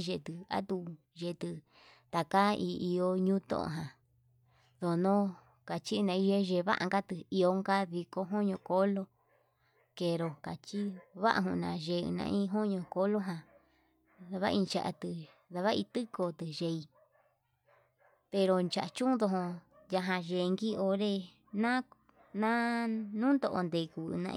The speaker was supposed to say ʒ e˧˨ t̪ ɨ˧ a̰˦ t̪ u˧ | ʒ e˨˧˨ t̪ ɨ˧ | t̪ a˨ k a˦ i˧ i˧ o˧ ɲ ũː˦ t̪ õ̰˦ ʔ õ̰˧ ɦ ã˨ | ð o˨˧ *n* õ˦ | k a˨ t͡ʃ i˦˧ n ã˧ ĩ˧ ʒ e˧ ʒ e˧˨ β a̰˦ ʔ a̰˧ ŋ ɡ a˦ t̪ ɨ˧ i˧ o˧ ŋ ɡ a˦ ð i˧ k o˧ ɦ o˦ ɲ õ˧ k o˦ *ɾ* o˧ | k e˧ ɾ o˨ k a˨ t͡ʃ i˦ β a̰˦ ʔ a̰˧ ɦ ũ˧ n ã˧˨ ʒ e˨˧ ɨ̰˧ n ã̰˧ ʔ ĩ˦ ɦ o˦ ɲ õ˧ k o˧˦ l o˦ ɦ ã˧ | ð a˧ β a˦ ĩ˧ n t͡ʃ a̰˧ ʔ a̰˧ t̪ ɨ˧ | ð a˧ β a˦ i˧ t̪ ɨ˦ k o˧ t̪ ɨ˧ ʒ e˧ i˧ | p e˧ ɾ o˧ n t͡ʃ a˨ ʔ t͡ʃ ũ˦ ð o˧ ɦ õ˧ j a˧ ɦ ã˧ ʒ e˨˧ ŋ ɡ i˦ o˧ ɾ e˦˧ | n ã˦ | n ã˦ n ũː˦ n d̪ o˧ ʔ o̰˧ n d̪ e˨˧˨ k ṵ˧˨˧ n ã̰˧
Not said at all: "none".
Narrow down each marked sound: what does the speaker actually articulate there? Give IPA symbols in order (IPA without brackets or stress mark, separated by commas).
n, l